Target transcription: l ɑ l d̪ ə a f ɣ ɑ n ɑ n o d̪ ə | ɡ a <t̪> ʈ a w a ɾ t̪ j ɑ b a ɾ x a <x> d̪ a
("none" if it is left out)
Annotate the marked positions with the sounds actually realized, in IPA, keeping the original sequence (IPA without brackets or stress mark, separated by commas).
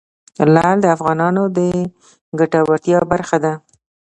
none, none